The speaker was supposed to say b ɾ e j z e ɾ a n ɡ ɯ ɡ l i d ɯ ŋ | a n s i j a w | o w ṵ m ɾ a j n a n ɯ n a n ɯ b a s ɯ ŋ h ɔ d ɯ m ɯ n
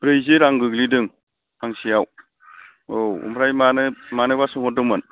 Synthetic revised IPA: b ɾ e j z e ɾ a ŋ ɡ ɯ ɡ l i d ɯ ŋ | a ŋ s i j a w | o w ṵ m ɾ a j m a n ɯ m a n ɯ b a s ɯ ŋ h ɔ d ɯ m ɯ n